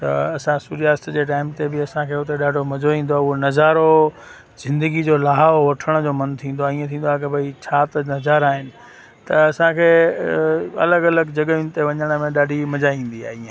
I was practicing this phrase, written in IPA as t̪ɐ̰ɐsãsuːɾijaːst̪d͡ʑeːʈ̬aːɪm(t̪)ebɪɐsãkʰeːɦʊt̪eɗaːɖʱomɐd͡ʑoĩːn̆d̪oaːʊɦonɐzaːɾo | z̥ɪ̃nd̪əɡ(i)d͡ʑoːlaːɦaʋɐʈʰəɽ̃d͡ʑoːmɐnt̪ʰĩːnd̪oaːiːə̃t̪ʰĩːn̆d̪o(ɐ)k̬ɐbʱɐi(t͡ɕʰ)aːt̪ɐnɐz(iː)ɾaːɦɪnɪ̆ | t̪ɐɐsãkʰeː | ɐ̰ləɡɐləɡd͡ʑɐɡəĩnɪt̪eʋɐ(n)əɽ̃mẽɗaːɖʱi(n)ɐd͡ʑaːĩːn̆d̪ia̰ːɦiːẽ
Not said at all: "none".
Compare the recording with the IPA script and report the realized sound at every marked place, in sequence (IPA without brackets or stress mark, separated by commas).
t̪, i, a, t͡ɕʰ, aː, ɲ, m